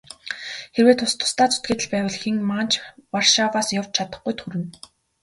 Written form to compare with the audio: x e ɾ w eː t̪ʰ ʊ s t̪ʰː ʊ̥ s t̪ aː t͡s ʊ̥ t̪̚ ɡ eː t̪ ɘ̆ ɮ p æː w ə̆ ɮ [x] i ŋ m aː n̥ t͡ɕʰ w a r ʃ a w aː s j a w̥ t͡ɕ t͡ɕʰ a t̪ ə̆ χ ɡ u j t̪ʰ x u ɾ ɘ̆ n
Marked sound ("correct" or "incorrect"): correct